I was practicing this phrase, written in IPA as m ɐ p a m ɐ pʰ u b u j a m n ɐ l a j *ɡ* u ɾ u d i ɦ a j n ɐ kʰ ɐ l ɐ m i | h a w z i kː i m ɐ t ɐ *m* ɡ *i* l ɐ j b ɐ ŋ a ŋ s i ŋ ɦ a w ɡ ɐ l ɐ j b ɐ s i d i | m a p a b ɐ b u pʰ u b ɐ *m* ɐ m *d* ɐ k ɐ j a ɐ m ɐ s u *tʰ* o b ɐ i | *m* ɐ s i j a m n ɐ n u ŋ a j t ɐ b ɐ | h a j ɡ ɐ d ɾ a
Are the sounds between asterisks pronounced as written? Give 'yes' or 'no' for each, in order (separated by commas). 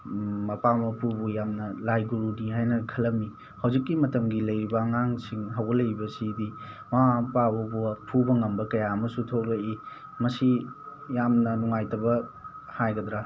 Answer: yes, yes, yes, no, no, yes, yes